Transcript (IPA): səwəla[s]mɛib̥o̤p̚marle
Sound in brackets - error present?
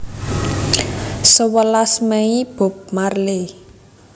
no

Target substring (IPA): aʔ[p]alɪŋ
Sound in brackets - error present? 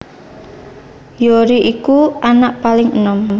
no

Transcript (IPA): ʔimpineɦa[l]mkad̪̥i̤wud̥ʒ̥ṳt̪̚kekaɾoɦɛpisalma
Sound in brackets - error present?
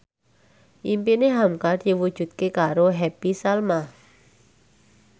yes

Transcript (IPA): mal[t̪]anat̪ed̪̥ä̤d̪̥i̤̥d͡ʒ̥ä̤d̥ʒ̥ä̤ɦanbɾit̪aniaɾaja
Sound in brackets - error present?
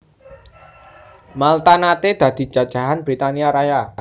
no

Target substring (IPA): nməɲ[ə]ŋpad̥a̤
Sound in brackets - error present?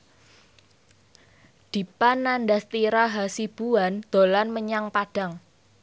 yes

